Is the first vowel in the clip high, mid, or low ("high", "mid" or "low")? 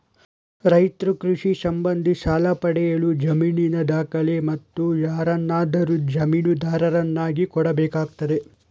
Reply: low